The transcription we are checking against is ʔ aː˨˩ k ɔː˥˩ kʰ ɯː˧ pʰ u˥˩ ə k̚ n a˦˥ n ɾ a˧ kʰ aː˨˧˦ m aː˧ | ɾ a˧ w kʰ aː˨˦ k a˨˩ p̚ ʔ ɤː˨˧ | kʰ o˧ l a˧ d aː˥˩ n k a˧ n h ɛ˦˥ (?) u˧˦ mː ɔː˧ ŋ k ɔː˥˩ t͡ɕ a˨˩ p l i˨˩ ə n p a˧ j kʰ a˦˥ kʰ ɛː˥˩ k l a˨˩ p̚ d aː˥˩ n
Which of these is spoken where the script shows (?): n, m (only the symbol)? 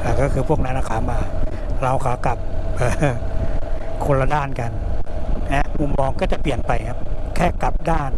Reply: m